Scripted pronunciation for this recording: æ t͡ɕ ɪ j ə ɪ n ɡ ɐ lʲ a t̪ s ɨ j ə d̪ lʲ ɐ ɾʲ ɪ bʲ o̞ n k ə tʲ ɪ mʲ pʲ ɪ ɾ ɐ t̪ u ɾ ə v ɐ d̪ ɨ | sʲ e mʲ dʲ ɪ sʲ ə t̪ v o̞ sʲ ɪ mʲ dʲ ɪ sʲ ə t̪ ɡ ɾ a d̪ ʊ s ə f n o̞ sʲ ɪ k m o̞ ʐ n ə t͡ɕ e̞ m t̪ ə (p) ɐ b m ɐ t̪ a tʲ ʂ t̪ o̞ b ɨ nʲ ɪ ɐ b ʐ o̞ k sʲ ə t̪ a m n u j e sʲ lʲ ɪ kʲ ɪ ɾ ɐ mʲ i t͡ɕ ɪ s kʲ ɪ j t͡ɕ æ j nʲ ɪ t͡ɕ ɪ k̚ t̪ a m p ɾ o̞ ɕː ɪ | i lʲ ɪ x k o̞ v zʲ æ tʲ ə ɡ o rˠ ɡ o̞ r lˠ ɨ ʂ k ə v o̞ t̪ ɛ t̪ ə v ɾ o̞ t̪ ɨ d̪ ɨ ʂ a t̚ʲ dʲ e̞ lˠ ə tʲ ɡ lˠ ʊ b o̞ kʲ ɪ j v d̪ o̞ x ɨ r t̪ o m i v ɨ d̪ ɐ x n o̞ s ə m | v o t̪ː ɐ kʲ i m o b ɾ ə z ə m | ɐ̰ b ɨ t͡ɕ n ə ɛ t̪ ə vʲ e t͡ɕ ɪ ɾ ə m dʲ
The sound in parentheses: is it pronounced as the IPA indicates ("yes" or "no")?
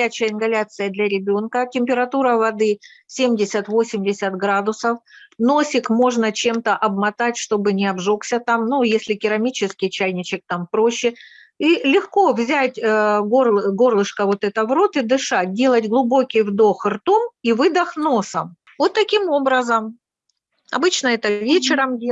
no